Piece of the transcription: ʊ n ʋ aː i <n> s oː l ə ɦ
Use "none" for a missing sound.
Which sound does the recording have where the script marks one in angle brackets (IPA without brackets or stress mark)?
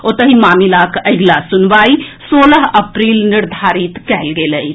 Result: none